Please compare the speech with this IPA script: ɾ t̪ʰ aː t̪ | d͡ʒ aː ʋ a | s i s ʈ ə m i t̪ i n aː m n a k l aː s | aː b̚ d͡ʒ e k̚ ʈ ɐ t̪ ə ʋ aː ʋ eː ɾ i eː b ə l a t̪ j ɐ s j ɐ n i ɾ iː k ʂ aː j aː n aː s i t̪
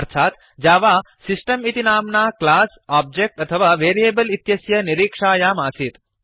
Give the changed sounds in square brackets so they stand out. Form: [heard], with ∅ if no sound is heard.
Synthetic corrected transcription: ɾ t̪ʰ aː t̪ | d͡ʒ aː ʋ a | s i s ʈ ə m i t̪ i n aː m n a k l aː s | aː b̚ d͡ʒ e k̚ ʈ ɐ [t̪ʰ] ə ʋ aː ʋ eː ɾ i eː b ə l [i] t̪ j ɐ s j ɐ n i ɾ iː k ʂ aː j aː [m] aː s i t̪

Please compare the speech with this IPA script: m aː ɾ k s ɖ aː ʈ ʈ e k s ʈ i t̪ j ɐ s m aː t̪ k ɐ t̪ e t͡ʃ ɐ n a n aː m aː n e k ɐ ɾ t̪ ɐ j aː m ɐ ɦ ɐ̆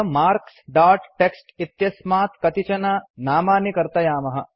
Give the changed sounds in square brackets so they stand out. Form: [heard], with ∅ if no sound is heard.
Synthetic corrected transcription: m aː ɾ k s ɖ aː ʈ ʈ e k s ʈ i t̪ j ɐ s m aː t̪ k ɐ t̪ [i] t͡ʃ ɐ n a n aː m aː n [i] k ɐ ɾ t̪ ɐ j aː m ɐ ɦ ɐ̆

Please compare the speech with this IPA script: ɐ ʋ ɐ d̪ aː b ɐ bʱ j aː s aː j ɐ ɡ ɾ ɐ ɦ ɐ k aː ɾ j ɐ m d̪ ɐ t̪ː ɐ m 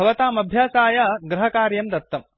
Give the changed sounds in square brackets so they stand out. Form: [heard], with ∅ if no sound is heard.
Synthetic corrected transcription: ɐ ʋ ɐ [t̪] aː [m] ɐ bʱ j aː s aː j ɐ ɡ ɾ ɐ ɦ ɐ k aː ɾ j ɐ m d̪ ɐ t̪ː ɐ m

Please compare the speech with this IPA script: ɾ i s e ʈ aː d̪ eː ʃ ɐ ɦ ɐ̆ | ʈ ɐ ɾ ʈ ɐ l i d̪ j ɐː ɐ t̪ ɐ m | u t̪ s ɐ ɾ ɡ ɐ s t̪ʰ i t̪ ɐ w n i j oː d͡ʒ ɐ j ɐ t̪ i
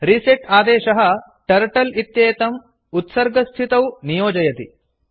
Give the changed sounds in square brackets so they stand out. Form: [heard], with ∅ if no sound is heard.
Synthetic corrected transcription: ɾ i s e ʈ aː d̪ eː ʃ ɐ ɦ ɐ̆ | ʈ ɐ ɾ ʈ ɐ l i [t̪] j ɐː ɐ t̪ ɐ m | u t̪ s ɐ ɾ ɡ ɐ s t̪ʰ i t̪ ɐ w n i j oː d͡ʒ ɐ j ɐ t̪ i

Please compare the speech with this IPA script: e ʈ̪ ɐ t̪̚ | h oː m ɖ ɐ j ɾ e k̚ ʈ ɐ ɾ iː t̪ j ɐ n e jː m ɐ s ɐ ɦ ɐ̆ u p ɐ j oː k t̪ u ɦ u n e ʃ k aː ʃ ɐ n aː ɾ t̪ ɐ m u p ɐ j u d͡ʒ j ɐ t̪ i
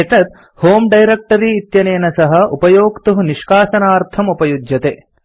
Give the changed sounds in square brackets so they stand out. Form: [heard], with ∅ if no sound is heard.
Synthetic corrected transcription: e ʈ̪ ɐ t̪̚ | h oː m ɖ ɐ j ɾ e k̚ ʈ ɐ ɾ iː t̪ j ɐ n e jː [n] ɐ s ɐ ɦ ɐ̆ u p ɐ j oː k t̪ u ɦ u n [i] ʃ k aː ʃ ɐ n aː ɾ [t̪ʰ] ɐ m u p ɐ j u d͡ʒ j ɐ t̪ [e]

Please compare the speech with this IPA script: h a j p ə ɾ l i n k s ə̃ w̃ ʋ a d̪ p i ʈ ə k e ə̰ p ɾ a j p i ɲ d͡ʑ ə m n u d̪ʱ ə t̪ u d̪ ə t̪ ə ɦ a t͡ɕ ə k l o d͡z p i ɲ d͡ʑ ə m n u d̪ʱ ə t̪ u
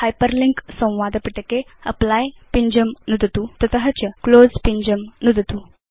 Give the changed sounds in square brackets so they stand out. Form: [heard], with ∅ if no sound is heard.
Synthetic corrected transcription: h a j p ə ɾ l i [ŋ] k s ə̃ w̃ ʋ a d̪ p i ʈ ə k e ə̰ p [l] a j p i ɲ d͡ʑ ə m n u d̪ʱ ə t̪ u [t̪] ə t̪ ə ɦ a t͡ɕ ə k l o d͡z p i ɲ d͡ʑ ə m n u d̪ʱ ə t̪ u

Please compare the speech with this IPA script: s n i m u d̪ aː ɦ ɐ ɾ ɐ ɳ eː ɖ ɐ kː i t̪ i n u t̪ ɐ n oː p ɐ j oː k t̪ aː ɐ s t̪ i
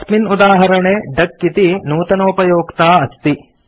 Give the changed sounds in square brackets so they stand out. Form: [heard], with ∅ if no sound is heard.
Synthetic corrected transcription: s [m] i [n] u d̪ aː ɦ ɐ ɾ ɐ ɳ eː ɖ ɐ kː i t̪ i n [uː] t̪ ɐ n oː p ɐ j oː k t̪ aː ɐ s t̪ i

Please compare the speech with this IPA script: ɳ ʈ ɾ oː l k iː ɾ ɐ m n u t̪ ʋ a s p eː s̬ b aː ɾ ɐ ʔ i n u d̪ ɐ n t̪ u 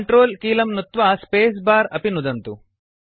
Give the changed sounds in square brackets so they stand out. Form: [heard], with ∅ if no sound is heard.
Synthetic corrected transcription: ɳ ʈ ɾ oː l k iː [l] ɐ m n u t̪ ʋ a s p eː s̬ b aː ɾ ɐ [p] i n u d̪ ɐ n t̪ u

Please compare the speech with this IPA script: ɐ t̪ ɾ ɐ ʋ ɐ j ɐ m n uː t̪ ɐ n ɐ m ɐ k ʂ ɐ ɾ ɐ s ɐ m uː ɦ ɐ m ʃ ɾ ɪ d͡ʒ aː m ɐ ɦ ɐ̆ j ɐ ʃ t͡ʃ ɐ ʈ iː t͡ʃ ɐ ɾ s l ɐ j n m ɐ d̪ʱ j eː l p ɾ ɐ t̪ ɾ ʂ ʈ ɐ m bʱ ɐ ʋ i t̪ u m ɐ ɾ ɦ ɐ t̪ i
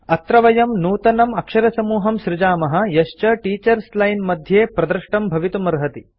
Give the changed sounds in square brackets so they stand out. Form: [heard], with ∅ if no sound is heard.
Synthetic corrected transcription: ɐ t̪ ɾ ɐ ʋ ɐ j ɐ m n uː t̪ ɐ n ɐ m ɐ k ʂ ɐ ɾ ɐ s ɐ m uː ɦ ɐ m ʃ ɾ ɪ d͡ʒ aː m ɐ ɦ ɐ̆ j ɐ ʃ t͡ʃ ɐ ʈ iː t͡ʃ ɐ ɾ s l ɐ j n m ɐ d̪ʱ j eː [∅] p ɾ ɐ [d̪] ɾ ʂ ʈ ɐ m bʱ ɐ ʋ i t̪ u m ɐ ɾ ɦ ɐ t̪ i

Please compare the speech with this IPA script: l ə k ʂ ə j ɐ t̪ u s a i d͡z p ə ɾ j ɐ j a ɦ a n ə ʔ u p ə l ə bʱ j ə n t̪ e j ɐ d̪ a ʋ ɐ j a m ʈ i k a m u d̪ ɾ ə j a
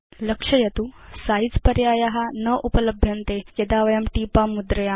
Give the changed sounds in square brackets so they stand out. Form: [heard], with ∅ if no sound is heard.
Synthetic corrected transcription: l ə k ʂ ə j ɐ t̪ u s a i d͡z p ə ɾ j [a] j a ɦ a n ə ʔ u p ə l ə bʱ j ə n t̪ e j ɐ d̪ a ʋ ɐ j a m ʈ i [p] a m u d̪ ɾ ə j a

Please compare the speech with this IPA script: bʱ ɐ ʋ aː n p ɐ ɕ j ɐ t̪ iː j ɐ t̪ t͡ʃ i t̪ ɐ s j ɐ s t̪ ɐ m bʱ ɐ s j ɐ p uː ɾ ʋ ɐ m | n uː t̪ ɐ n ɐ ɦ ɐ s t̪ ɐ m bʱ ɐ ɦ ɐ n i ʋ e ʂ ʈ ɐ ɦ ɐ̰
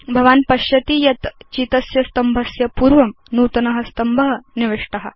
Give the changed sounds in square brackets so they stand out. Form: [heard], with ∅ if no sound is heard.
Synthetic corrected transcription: bʱ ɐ ʋ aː n p ɐ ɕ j ɐ t̪ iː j ɐ t̪ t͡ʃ i t̪ ɐ s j ɐ s t̪ ɐ m bʱ ɐ s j ɐ p uː ɾ ʋ ɐ m | n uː t̪ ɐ n ɐ ɦ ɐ s t̪ ɐ m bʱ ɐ ɦ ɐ n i ʋ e ʂ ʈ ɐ ɦ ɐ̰

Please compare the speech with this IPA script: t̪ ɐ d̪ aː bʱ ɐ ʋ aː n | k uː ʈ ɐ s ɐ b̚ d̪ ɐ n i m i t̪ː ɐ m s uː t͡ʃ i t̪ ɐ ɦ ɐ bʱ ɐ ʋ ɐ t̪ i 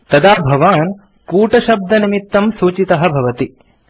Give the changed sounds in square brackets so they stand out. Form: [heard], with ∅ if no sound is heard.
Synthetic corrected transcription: t̪ ɐ d̪ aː bʱ ɐ ʋ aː n | k uː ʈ ɐ [ʃ] ɐ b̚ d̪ ɐ n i m i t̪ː ɐ m s uː t͡ʃ i t̪ ɐ ɦ ɐ bʱ ɐ ʋ ɐ t̪ i

